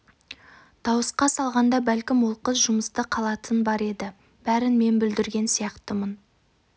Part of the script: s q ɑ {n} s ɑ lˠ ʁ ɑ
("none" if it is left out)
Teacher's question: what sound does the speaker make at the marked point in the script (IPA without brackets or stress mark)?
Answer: none